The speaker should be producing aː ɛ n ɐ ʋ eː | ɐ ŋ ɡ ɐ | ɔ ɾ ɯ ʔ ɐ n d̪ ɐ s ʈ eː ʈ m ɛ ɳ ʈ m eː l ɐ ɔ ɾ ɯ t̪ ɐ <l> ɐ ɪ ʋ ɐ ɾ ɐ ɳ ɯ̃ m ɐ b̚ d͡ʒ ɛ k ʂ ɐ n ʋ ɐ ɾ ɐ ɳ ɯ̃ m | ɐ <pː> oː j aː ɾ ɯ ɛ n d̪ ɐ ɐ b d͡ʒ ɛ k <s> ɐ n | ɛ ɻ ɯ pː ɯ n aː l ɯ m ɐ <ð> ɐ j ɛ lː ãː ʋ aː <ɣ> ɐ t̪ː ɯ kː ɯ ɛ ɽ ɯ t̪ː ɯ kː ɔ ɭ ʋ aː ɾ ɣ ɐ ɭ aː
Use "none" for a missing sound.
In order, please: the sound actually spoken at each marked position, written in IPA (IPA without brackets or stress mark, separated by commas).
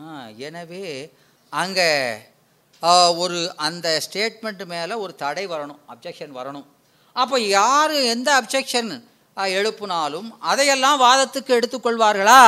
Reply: ɽ, pː, ʂ, ð, ð